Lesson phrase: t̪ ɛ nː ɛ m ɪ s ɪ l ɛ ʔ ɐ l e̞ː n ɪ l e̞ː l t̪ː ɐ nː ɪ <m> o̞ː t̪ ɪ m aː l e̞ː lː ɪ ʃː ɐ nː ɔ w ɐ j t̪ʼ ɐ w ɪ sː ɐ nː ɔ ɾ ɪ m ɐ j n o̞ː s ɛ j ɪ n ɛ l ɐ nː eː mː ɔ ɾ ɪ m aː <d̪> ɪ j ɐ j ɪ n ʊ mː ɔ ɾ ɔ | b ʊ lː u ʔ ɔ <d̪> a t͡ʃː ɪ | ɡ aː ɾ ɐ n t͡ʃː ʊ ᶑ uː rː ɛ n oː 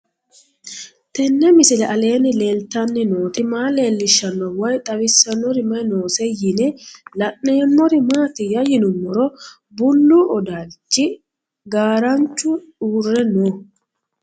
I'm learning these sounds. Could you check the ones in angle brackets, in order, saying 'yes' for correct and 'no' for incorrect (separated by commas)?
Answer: no, no, yes